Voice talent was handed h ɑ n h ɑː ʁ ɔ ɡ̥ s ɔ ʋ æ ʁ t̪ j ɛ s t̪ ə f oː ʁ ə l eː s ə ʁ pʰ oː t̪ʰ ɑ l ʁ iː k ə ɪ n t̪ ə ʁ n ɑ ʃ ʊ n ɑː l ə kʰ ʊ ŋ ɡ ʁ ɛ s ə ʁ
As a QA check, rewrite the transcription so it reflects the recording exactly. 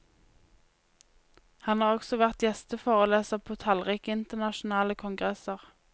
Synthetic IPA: h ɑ n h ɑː ʁ ɔ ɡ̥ s ɔ ʋ æ ʁ t̪ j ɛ s t̪ ə f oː ʁ ə l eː s ə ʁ pʰ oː t̪ʰ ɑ l ʁ iː k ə ɪ n t̪ ə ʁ n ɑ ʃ ʊ n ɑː l ə kʰ ʊ ŋ ɡ ʁ ɛ s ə ʁ